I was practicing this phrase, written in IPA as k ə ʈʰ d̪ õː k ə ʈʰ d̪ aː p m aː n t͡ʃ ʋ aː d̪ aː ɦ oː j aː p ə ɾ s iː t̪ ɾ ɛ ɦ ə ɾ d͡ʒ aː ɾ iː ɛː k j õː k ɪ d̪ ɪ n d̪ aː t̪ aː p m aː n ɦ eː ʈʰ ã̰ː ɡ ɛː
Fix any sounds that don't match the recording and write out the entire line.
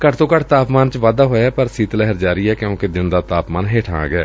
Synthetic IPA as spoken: k ə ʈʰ t̪ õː k ə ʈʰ t̪ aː p m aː n t͡ʃ ʋ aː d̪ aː ɦ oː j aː p ə ɾ s iː t̪ l ɛ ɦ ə ɾ d͡ʒ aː ɾ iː ɛː k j õː k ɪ d̪ ɪ n d̪ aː t̪ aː p m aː n ɦ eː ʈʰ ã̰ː ɡ ɛː

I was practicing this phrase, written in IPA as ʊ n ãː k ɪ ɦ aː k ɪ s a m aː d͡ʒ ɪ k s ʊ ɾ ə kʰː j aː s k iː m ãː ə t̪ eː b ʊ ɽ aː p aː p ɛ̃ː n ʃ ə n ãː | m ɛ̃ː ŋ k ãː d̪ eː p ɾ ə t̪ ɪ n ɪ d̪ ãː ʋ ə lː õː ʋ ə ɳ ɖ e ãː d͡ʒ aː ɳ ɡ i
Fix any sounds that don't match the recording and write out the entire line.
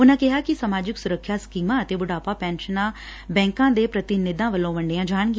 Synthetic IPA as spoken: ʊ n ãː k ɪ ɦ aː k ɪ s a m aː d͡ʒ ɪ k s ʊ ɾ ə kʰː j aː s k iː m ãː ə t̪ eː b ʊ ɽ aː p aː p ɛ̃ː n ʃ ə n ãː | b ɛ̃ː ŋ k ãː d̪ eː p ɾ ə t̪ ɪ n ɪ d̪ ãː ʋ ə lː õː ʋ ə ɳ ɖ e ãː d͡ʒ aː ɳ ɡ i

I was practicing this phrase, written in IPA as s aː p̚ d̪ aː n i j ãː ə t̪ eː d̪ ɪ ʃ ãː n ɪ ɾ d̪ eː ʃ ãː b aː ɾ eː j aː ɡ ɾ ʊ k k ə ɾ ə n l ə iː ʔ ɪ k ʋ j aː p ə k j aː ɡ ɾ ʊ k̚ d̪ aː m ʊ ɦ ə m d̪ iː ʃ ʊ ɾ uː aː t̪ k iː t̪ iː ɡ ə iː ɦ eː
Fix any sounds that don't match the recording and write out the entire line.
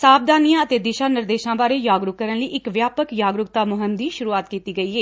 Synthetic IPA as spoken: s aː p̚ d̪ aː n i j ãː ə t̪ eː d̪ ɪ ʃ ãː n ɪ ɾ d̪ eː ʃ ãː b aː ɾ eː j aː ɡ ɾ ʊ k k ə ɾ ə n l ə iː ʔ ɪ k ʋ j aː p ə k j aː ɡ ɾ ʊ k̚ t̪ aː m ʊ ɦ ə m d̪ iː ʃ ʊ ɾ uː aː t̪ k iː t̪ iː ɡ ə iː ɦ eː

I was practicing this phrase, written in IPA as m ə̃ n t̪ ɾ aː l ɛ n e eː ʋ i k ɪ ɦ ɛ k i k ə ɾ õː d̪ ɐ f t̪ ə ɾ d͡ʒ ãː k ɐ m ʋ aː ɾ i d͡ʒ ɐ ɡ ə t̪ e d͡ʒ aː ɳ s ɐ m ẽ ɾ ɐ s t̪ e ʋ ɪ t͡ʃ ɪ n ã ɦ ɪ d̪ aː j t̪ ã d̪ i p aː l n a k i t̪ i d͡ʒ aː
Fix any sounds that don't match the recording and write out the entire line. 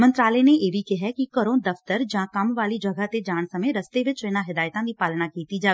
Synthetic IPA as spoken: m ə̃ n t̪ ɾ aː l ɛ n e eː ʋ i k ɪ ɦ ɛ k i k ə ɾ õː d̪ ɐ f t̪ ə ɾ d͡ʒ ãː k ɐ m ʋ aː l i d͡ʒ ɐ ɡ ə t̪ e d͡ʒ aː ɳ s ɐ m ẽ ɾ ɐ s t̪ e ʋ ɪ t͡ʃ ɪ n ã ɦ ɪ d̪ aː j t̪ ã d̪ i p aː l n a k iː t̪ i d͡ʒ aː

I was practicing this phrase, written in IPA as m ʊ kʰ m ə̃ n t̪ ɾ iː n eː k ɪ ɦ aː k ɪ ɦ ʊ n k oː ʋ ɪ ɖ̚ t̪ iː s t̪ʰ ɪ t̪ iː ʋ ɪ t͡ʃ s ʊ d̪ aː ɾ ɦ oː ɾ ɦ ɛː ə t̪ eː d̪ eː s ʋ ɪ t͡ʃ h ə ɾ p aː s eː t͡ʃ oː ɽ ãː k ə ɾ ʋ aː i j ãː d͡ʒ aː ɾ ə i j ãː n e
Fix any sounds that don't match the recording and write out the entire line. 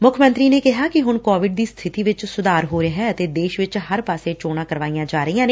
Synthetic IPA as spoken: m ʊ kʰ m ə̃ n t̪ ɾ iː n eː k ɪ ɦ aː k ɪ ɦ ʊ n k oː ʋ ɪ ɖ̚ d̪ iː s t̪ʰ ɪ t̪ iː ʋ ɪ t͡ʃ s ʊ d̪ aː ɾ ɦ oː ɾ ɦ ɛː ə t̪ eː d̪ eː ʃ ʋ ɪ t͡ʃ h ə ɾ p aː s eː t͡ʃ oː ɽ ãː k ə ɾ ʋ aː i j ãː d͡ʒ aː ɾ ə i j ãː n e

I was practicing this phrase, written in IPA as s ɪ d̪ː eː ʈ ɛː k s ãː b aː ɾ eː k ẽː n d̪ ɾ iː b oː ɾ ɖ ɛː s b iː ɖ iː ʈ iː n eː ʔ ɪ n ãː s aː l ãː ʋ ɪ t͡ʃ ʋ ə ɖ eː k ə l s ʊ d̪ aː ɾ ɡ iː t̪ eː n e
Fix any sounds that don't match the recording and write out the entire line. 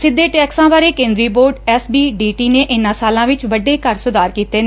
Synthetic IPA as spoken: s ɪ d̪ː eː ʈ ɛː k s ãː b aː ɾ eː k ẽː n d̪ ɾ iː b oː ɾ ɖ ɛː s b iː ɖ iː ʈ iː n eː ʔ ɪ n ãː s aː l ãː ʋ ɪ t͡ʃ ʋ ə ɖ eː k ə ɾ s ʊ d̪ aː ɾ k iː t̪ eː n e

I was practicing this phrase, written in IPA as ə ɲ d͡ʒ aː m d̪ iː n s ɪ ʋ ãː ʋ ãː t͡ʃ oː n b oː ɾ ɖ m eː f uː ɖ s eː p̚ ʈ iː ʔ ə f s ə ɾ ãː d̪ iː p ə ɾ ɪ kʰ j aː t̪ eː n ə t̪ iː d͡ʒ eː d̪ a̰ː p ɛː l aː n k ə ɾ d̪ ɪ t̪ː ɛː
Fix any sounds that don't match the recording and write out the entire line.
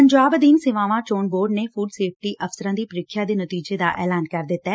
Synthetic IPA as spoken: ə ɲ d͡ʒ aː b d̪ iː n s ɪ ʋ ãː ʋ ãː t͡ʃ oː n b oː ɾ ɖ n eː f uː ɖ s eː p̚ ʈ iː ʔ ə f s ə ɾ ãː d̪ iː p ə ɾ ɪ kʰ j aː d̪ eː n ə t̪ iː d͡ʒ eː d̪ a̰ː ʔ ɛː l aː n k ə ɾ d̪ ɪ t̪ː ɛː

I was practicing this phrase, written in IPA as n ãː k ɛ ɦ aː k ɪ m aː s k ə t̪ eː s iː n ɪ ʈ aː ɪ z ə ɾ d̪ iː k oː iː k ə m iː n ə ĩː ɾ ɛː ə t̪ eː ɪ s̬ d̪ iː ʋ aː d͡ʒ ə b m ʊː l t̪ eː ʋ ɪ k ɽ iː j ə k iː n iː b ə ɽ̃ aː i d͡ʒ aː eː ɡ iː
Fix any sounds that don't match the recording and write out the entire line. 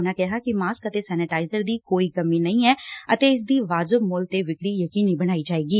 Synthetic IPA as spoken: n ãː k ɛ ɦ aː k ɪ m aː s k ə t̪ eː s ɛː n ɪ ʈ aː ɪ z ə ɾ d̪ iː k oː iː k ə m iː n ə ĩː ɛː ə t̪ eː ɪ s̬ d̪ iː ʋ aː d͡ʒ ə b m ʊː l t̪ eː ʋ ɪ k ɽ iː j ə k iː n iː b ə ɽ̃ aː i d͡ʒ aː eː ɡ iː

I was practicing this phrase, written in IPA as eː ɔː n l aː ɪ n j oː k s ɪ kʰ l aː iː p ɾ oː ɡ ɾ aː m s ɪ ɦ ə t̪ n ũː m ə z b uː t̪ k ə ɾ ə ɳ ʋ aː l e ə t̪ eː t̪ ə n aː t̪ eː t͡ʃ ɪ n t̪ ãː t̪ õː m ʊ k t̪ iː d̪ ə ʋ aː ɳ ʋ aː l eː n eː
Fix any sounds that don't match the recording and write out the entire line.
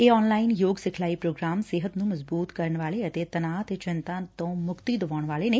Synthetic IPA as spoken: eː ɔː n l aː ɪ n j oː ɡ s ɪ kʰ l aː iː p ɾ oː ɡ ɾ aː m s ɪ ɦ ə t̪ n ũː m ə z b uː t̪ k ə ɾ ə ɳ ʋ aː l e ə t̪ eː t̪ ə n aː t̪ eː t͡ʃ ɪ n t̪ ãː t̪ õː m ʊ k t̪ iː d̪ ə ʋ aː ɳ ʋ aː l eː n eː

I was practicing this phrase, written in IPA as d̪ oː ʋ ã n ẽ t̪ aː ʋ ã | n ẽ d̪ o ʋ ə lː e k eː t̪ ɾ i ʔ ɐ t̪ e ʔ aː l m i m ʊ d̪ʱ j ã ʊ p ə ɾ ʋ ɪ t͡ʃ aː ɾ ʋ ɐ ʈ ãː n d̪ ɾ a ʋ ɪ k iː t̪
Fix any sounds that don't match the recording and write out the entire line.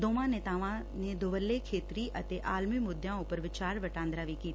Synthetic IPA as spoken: d̪ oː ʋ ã n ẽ t̪ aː ʋ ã | n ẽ d̪ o ʋ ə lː e kʰ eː t̪ ɾ i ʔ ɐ t̪ e ʔ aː l m i m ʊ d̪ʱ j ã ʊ p ə ɾ ʋ ɪ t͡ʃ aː ɾ ʋ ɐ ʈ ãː n d̪ ɾ a ʋ i k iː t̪

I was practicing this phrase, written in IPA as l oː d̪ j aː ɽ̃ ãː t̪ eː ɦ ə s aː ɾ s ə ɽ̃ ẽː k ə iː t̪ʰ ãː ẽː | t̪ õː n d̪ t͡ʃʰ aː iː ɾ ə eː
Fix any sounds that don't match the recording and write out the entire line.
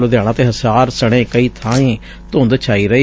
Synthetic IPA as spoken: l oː d̪ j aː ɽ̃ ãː t̪ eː ɦ ə s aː ɾ s ə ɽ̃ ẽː k ə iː t̪ʰ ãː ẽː | t̪ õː n d̪ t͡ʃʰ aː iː ɾ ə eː

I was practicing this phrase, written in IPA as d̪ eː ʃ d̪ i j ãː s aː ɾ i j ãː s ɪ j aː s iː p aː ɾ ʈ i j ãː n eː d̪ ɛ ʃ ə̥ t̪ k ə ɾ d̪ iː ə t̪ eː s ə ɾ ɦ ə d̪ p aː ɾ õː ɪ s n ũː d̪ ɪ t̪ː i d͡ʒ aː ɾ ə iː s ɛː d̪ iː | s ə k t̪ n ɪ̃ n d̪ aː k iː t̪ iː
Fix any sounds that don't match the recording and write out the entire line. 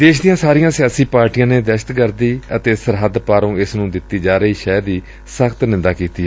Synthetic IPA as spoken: d̪ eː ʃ d̪ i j ãː s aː ɾ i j ãː s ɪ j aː s iː p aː ɾ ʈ i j ãː n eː d̪ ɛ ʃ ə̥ t̪ k ə ɾ d̪ iː ə t̪ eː s ə ɾ ɦ ə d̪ p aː ɾ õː ɪ s n ũː d̪ ɪ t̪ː iː d͡ʒ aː ɾ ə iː ʃ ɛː d̪ iː | s ə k t̪ n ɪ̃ n d̪ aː k iː t̪ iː

